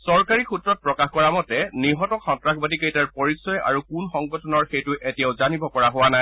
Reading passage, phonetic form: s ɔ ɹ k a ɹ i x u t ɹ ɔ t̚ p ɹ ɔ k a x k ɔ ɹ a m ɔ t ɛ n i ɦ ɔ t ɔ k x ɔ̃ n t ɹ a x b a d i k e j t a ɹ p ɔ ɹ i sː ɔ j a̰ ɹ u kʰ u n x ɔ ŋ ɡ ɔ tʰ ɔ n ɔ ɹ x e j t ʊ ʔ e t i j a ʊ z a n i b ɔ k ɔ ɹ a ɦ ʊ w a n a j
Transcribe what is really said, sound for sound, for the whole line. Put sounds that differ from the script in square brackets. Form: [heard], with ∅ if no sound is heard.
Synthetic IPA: s ɔ ɹ k a ɹ i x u t ɹ ɔ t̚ p ɹ ɔ k a x k ɔ ɹ a m ɔ t ɛ n i ɦ ɔ t ɔ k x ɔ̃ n t ɹ a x b a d i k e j t a ɹ p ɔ ɹ i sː ɔ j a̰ ɹ u [k] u n x ɔ ŋ ɡ ɔ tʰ ɔ n ɔ ɹ x e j t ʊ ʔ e t i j a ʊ z a n i b ɔ k ɔ ɹ a ɦ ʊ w a n a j